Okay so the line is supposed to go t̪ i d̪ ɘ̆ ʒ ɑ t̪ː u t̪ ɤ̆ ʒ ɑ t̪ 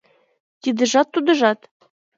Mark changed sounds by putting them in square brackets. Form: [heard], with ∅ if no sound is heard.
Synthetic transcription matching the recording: t̪ i d̪ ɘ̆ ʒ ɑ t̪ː u [d̪] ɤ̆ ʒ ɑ t̪